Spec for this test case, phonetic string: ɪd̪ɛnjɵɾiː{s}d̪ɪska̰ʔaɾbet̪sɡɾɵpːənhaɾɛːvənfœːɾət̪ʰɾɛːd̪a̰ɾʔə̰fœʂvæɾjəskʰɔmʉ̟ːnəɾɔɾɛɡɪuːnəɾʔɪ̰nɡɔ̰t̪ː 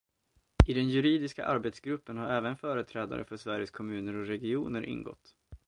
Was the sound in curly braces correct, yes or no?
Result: no